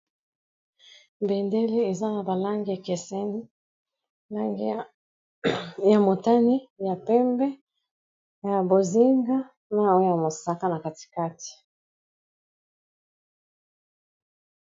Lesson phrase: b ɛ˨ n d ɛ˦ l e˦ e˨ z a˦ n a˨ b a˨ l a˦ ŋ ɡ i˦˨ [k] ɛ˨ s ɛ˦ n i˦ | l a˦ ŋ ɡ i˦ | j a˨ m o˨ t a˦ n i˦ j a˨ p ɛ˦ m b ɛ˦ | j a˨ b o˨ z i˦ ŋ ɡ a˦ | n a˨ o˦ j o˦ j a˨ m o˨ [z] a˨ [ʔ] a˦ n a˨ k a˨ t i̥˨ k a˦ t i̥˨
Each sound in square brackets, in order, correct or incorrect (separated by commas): correct, incorrect, incorrect